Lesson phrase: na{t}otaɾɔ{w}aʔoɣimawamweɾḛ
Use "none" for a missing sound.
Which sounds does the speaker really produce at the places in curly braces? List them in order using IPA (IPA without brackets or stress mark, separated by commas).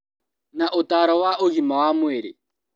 ʔ, w